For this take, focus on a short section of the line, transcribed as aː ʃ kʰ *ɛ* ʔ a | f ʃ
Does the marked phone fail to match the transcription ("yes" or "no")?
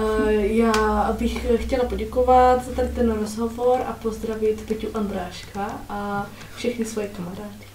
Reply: yes